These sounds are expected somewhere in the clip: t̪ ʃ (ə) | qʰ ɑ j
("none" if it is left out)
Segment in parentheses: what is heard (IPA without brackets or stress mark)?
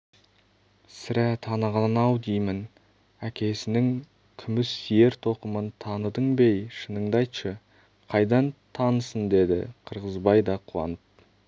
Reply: ə